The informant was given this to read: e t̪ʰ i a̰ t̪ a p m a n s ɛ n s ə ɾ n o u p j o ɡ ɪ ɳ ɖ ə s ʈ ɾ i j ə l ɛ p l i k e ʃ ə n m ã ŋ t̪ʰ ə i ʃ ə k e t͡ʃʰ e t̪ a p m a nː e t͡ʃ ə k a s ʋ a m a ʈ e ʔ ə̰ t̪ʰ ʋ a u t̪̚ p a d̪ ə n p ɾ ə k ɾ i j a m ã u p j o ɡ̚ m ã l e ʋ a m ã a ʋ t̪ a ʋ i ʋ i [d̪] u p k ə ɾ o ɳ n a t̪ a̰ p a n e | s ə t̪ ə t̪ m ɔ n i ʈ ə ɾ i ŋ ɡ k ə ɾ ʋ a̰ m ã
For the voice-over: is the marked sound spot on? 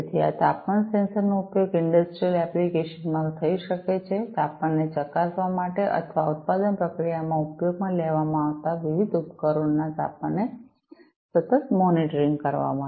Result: yes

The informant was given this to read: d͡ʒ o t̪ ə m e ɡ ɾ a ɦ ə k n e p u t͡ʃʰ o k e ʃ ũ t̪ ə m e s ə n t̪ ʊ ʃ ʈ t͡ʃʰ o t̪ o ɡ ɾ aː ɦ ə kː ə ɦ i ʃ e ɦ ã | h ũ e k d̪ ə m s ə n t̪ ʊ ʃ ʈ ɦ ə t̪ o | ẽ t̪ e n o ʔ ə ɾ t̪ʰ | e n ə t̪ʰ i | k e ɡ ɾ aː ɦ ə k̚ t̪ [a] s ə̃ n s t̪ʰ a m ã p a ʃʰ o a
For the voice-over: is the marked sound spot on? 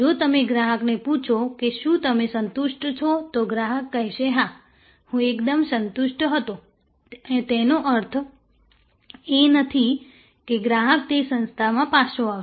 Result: no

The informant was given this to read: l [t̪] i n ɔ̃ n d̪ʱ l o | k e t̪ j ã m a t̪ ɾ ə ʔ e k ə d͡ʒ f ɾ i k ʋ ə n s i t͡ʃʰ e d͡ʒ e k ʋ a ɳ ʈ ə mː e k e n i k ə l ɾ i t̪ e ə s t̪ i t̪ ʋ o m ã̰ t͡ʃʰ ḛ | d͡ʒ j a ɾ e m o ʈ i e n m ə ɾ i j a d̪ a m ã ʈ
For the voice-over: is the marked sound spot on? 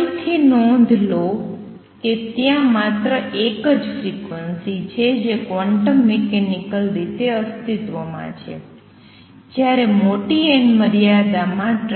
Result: no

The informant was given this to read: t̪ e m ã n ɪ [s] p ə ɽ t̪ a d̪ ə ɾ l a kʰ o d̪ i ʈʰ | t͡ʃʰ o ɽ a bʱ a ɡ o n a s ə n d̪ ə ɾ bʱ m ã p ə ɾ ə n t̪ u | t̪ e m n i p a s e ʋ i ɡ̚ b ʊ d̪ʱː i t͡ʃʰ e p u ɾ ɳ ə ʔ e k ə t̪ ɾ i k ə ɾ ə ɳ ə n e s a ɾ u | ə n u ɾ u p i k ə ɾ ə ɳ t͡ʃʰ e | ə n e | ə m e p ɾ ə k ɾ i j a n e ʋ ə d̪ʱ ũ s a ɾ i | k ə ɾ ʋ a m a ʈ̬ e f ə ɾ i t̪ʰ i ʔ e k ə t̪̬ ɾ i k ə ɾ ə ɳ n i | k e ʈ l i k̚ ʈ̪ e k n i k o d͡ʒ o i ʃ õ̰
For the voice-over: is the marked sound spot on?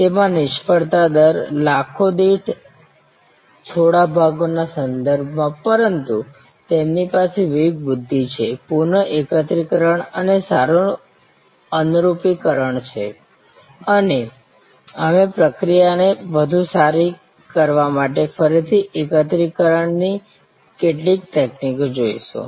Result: no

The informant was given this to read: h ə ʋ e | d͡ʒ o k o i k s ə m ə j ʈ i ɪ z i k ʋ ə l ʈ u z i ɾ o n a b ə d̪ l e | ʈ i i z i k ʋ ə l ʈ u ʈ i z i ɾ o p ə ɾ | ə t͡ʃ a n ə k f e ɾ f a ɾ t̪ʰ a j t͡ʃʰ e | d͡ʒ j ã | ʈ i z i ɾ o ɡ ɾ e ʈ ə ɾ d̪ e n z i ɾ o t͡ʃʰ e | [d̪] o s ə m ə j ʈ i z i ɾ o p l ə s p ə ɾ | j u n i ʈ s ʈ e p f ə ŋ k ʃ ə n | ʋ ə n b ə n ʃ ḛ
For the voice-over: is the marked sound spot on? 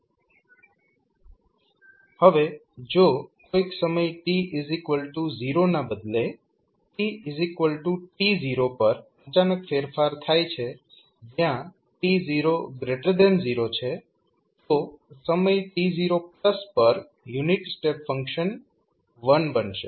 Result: no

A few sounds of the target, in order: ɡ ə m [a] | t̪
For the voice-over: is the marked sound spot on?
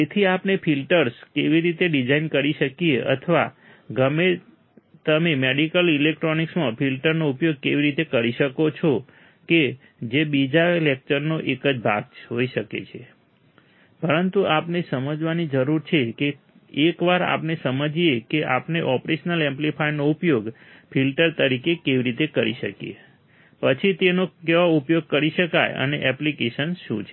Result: no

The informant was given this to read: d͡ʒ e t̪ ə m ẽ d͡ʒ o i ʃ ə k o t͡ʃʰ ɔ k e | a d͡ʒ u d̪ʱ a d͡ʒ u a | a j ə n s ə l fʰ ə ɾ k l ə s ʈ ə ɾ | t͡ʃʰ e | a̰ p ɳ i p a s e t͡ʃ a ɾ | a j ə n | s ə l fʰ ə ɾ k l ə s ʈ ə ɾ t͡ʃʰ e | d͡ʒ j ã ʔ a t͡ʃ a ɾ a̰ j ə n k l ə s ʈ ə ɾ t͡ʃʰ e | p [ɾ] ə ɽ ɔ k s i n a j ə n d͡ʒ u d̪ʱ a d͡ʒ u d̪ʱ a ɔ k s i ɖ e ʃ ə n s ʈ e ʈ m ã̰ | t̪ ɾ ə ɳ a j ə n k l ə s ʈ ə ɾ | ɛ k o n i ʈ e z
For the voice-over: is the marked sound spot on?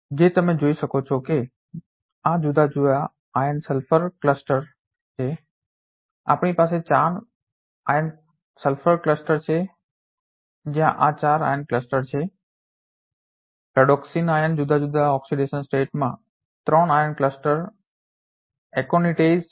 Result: yes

